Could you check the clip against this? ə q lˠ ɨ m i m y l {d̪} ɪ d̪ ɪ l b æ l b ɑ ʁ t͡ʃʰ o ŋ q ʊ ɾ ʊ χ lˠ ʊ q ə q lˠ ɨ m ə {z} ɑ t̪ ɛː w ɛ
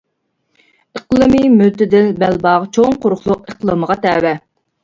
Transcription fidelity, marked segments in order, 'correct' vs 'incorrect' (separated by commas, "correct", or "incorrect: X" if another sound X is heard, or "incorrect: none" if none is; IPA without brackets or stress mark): incorrect: t̪, incorrect: ʁ